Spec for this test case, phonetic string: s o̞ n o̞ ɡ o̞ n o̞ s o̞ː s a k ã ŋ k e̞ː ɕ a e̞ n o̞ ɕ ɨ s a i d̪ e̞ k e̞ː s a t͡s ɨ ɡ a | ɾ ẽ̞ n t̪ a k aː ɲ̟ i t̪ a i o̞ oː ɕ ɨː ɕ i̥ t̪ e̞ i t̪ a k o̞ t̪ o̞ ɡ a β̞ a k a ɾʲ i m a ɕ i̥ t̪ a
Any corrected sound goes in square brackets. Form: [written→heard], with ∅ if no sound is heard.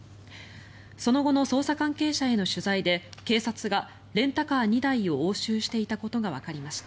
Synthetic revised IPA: s o̞ n o̞ ɡ o̞ n o̞ s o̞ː s a k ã ŋ k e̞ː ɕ a e̞ n o̞ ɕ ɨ [s→z] a i d̪ e̞ k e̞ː s a t͡s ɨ ɡ a | ɾ ẽ̞ n t̪ a k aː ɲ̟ i [t̪→d̪] a i o̞ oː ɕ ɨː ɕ i̥ t̪ e̞ i t̪ a k o̞ t̪ o̞ ɡ a β̞ a k a ɾʲ i m a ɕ i̥ t̪ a